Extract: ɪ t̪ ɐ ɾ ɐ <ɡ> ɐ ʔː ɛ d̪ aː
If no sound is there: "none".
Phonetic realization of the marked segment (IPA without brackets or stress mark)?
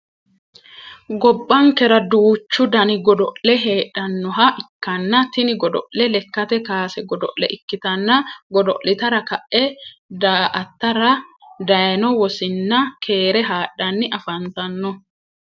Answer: k